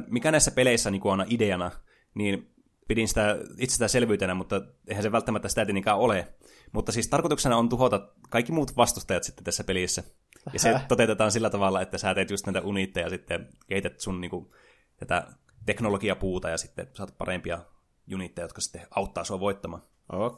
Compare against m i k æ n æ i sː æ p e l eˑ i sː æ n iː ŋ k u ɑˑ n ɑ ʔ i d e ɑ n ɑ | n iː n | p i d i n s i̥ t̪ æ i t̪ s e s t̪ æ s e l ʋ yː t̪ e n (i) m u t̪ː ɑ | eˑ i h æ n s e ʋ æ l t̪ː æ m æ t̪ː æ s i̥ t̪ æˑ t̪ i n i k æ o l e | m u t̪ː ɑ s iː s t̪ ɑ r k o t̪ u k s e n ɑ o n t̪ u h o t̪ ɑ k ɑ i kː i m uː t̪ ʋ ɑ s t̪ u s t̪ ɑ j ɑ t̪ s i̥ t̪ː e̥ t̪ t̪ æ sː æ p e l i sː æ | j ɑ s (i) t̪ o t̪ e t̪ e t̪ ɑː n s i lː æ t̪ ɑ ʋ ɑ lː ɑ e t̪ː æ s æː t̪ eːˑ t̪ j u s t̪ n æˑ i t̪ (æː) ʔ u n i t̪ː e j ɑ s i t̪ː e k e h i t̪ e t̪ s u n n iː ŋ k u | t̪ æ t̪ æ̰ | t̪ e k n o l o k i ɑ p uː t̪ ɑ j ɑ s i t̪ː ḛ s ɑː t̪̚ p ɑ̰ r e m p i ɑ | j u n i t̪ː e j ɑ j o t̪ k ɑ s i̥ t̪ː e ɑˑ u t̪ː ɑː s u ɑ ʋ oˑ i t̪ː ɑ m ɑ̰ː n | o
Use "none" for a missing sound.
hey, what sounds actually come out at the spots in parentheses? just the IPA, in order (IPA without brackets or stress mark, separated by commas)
æ, e, æ